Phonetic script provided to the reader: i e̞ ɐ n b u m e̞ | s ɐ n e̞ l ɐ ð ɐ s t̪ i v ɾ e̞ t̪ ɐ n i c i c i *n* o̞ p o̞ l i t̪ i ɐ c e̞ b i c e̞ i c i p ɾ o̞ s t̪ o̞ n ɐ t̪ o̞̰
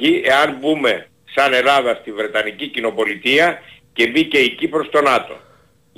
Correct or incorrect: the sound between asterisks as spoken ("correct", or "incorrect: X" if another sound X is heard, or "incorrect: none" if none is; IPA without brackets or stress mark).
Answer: correct